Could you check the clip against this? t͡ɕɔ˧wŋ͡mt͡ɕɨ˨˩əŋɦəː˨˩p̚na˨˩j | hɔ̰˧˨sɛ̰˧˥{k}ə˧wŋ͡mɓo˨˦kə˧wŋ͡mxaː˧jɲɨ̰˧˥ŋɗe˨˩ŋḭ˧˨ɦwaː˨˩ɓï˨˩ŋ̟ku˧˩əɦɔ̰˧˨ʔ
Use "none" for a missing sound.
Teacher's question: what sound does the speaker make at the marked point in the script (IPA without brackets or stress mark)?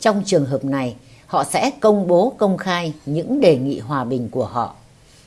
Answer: k